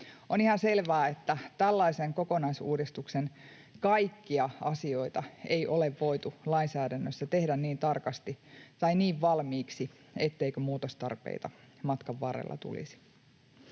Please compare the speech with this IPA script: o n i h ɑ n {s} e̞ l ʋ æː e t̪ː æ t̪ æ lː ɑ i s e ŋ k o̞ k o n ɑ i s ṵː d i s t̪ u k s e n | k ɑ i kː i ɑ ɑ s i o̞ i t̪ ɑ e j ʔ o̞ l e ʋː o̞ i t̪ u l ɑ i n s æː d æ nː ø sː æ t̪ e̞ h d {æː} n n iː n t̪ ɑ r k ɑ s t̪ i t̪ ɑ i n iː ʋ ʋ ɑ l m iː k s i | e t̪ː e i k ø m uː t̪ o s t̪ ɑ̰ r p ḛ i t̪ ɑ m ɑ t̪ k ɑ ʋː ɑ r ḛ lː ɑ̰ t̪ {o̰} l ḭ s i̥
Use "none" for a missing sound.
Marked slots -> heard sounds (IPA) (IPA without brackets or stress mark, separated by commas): s, æ, ṵ